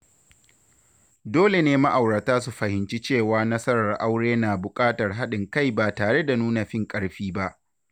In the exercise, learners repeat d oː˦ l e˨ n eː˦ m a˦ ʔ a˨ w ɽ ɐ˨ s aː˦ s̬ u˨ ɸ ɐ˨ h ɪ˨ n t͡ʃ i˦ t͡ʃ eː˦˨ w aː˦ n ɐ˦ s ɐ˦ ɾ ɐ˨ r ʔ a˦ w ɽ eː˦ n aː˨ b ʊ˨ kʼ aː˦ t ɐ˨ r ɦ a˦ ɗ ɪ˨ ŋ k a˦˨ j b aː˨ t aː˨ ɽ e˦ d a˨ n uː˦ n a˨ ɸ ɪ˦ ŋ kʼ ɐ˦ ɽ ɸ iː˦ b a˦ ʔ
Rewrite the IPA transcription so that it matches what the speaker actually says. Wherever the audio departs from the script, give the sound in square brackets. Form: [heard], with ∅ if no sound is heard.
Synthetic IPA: d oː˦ l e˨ n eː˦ m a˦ ʔ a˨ w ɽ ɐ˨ [t] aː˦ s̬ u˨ ɸ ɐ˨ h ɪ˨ n t͡ʃ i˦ t͡ʃ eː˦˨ w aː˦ n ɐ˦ s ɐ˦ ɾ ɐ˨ r ʔ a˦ w ɽ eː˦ n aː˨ b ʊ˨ kʼ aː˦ t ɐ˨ r ɦ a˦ ɗ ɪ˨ ŋ k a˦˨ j b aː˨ t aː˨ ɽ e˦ d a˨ n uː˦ n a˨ ɸ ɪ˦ ŋ kʼ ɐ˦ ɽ ɸ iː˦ b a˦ ʔ